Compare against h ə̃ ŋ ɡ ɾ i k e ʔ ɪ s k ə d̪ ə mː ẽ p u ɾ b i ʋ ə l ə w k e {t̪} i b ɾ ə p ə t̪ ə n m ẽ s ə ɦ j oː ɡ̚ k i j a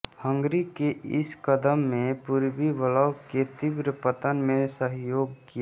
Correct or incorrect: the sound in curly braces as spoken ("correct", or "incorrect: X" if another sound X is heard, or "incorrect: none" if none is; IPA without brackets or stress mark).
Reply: correct